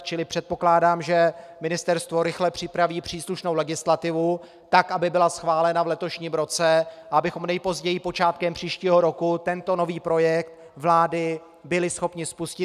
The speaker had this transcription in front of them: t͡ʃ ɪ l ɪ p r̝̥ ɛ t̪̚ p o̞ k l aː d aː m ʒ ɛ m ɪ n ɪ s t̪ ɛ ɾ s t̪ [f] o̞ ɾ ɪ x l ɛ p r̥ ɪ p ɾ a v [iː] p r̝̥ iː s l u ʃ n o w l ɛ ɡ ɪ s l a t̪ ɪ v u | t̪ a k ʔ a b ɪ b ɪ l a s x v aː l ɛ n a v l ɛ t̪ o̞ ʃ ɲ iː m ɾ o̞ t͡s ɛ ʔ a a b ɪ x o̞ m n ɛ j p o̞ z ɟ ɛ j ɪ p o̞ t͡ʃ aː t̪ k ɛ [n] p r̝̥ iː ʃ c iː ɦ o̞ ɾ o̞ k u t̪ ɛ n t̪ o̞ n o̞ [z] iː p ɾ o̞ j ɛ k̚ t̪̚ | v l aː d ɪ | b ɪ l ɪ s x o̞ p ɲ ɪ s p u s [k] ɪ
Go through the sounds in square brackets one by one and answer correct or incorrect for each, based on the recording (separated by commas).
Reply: incorrect, correct, incorrect, incorrect, incorrect